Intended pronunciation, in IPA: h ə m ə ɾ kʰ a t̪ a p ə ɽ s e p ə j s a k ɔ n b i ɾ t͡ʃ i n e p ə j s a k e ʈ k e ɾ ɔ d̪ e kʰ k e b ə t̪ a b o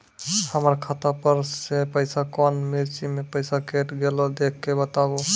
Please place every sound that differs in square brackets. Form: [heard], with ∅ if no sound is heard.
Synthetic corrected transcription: h ə m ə ɾ kʰ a t̪ a p ə [ɾ] s e p ə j s a k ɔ n [m] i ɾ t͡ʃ i [m] e p ə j s a k e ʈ [ɡ] e [l] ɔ d̪ e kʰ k e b ə t̪ a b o